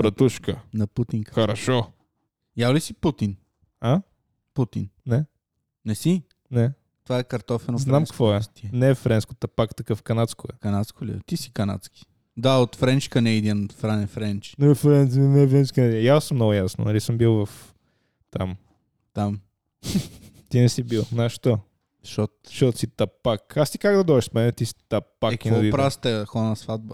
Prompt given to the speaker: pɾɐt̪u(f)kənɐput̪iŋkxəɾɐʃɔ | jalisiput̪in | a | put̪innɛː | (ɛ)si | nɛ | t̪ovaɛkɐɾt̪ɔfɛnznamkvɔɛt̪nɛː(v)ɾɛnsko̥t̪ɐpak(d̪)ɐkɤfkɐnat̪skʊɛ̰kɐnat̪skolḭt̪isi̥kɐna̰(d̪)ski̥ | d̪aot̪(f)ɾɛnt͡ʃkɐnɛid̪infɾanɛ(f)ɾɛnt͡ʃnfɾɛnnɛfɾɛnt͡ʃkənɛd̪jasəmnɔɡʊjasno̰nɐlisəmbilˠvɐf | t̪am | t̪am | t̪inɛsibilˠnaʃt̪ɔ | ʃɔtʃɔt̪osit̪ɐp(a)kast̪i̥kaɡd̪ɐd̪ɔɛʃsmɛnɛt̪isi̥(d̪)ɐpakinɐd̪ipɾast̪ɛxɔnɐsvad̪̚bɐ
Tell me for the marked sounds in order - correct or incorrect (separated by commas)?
incorrect, correct, incorrect, incorrect, incorrect, correct, correct, correct, incorrect